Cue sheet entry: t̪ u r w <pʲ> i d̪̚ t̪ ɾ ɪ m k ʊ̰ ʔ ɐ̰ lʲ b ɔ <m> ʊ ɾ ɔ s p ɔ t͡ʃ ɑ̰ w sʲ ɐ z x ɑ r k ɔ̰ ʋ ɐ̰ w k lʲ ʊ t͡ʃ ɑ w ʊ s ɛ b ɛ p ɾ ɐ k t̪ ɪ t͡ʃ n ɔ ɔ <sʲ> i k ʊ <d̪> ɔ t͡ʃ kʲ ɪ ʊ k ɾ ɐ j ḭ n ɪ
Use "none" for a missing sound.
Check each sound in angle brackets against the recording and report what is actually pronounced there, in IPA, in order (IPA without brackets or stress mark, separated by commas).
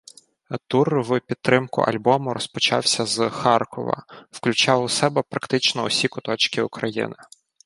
pʲ, m, sʲ, t̪